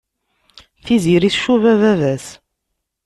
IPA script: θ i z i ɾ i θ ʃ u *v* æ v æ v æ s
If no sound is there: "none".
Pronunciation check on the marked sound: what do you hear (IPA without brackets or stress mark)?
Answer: v